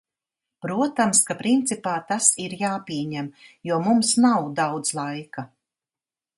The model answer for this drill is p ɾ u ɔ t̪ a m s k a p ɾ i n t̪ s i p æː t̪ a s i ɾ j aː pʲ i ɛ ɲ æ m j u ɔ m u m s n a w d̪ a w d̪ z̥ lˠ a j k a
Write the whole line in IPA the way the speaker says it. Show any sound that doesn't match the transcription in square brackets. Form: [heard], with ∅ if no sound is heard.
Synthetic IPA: p ɾ u ɔ t̪ a m s k a p ɾ i n t̪ s i p [aː] t̪ a s i ɾ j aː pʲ i ɛ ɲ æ m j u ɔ m u m s n a w d̪ a w d̪ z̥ lˠ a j k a